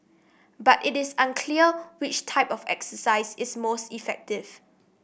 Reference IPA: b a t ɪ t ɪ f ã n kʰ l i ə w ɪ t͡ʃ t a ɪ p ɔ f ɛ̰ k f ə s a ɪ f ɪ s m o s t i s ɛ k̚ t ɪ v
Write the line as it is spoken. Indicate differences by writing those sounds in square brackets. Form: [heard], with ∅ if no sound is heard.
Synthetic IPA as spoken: b a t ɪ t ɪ [s] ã n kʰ l i ə w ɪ t͡ʃ [tʰ] a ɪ p ɔ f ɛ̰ k [s] ə s a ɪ [s] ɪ s m o s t i [f] ɛ k̚ t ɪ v